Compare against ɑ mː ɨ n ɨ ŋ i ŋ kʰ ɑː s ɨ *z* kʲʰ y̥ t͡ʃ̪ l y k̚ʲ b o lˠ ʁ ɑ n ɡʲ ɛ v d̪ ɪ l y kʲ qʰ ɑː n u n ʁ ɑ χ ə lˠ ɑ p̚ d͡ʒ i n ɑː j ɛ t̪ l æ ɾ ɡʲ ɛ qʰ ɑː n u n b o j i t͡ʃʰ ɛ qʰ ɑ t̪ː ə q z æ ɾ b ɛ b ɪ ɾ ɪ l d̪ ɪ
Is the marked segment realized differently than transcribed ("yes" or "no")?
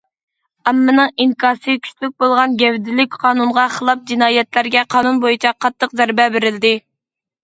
yes